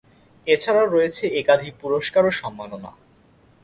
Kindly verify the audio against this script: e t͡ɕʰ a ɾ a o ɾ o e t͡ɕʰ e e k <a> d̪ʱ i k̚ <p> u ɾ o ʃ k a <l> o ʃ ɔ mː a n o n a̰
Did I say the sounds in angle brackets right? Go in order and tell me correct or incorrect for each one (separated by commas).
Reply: correct, correct, incorrect